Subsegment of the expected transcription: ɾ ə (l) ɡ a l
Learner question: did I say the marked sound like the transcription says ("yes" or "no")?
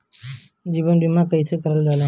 yes